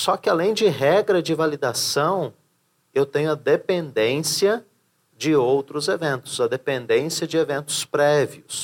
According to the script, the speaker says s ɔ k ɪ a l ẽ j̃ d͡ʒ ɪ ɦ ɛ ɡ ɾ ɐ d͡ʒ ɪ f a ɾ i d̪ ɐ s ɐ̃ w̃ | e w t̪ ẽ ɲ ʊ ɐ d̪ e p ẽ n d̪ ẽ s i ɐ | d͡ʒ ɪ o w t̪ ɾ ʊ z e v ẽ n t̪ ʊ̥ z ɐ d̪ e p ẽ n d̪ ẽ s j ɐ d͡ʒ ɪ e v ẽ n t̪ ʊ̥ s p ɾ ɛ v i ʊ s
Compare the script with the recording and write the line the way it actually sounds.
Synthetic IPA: s ɔ k ɪ a l ẽ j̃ d͡ʒ ɪ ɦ ɛ ɡ ɾ ɐ d͡ʒ ɪ v a l i d̪ a s ɐ̃ w̃ | e w t̪ ẽ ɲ ʊ ɐ d̪ e p ẽ n d̪ ẽ s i ɐ | d͡ʒ ɪ o w t̪ ɾ ʊ z e v ẽ n t̪ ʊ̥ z ɐ d̪ e p ẽ n d̪ ẽ s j ɐ d͡ʒ ɪ e v ẽ n t̪ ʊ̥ s p ɾ ɛ v i ʊ s